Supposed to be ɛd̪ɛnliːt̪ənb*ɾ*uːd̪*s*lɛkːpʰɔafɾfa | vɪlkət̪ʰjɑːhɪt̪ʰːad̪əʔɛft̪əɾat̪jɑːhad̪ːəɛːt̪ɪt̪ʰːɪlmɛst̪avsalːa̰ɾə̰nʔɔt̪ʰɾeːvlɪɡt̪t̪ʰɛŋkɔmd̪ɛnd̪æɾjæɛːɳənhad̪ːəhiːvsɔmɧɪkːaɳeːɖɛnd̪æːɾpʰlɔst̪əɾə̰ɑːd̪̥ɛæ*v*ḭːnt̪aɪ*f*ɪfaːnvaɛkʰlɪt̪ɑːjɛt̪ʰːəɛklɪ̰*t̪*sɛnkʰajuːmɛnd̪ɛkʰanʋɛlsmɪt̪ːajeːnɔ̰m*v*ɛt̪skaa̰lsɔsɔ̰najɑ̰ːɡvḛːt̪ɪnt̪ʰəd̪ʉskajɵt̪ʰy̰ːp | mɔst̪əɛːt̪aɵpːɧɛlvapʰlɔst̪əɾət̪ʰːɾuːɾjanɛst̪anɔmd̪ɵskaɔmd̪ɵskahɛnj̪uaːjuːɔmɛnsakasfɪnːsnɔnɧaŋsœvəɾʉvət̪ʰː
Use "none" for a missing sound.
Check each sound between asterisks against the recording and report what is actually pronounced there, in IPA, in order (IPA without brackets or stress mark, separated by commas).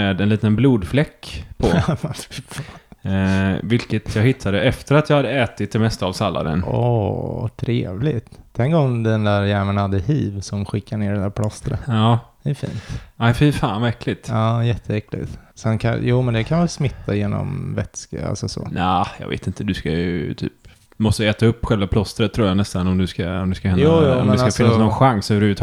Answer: l, f, f, f, t̪, v